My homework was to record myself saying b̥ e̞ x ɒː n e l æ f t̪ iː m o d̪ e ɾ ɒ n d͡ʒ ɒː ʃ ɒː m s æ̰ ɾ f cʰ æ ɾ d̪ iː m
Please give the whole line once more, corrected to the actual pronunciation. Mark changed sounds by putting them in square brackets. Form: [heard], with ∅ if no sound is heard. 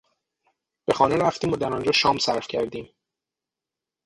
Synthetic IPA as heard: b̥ e̞ x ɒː n e [ɾ] æ f t̪ iː m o d̪ [æ] ɾ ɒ n d͡ʒ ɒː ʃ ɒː m s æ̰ ɾ f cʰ æ ɾ d̪ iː m